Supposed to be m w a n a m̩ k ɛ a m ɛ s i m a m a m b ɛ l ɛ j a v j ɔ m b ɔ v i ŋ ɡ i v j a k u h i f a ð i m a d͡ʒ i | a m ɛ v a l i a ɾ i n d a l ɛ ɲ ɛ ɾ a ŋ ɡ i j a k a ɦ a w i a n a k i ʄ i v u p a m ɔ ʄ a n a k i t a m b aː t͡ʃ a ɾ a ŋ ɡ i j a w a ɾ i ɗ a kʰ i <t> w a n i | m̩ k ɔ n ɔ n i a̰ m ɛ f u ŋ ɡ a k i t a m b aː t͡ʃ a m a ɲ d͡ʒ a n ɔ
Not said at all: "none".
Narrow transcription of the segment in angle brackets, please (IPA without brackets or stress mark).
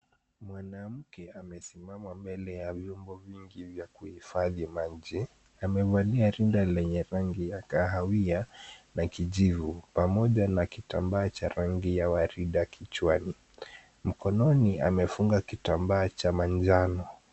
t͡ʃ